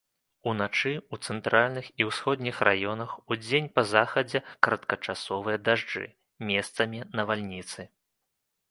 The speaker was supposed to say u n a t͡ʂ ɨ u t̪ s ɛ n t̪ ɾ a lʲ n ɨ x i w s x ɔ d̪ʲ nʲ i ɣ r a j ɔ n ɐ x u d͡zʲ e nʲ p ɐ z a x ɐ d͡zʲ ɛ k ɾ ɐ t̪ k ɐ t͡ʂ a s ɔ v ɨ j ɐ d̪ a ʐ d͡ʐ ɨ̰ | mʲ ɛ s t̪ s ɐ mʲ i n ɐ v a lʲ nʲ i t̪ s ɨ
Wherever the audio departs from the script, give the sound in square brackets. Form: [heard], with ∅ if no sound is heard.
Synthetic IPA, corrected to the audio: u n a t͡ʂ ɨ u t̪ s ɛ n t̪ ɾ a lʲ n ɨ x i w s x ɔ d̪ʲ nʲ i [x] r a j ɔ n ɐ x u d͡zʲ e nʲ p ɐ z a x ɐ d͡zʲ ɛ k ɾ ɐ t̪ k ɐ t͡ʂ a s ɔ v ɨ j ɐ d̪ a ʐ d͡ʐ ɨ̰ | mʲ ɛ s t̪ s ɐ mʲ i n ɐ v a lʲ nʲ i t̪ s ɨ